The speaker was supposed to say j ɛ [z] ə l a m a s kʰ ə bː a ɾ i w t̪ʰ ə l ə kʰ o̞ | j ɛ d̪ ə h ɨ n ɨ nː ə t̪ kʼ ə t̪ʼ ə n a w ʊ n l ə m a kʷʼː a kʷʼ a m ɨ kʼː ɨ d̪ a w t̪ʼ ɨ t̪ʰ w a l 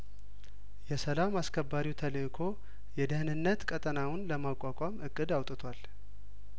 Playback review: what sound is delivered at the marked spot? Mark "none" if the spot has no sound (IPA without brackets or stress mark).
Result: s